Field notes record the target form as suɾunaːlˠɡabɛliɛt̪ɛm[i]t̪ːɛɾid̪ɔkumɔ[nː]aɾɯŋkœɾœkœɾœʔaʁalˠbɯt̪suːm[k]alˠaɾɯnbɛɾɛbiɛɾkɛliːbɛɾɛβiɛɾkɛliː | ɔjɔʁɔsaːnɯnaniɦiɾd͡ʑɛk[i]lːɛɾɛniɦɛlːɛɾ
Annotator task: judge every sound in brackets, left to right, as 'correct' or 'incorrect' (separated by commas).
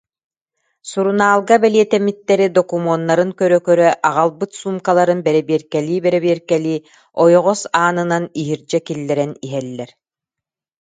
correct, correct, correct, correct